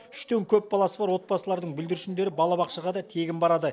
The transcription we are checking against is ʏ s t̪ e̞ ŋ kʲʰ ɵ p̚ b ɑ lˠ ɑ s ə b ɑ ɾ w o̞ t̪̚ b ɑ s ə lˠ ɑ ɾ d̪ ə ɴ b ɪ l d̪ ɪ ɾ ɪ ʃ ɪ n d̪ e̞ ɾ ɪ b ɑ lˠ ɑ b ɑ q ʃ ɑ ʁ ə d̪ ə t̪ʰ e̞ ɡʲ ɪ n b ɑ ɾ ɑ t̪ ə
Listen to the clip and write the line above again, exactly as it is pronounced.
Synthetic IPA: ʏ ʃ t̪ e̞ ŋ kʲʰ ɵ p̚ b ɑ lˠ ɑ s ə b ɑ ɾ w o̞ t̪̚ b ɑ s ə lˠ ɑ ɾ d̪ ə ɴ b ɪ l d̪ ɪ ɾ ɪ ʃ ɪ n d̪ e̞ ɾ ɪ b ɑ lˠ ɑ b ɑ q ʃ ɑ ʁ ɑ d̪ ɑ t̪ʰ e̞ ɡʲ ɪ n b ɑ ɾ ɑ d̪ ə